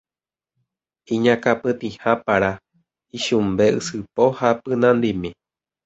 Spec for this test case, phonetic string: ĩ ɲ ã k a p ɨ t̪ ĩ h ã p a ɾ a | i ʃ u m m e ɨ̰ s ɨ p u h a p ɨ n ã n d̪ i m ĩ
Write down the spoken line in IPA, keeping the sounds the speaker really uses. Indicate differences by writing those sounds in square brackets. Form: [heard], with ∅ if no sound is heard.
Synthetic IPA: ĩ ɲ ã k a p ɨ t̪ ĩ h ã p a ɾ a | i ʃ u m [b] e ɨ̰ s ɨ p [o] h a p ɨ n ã n d̪ i m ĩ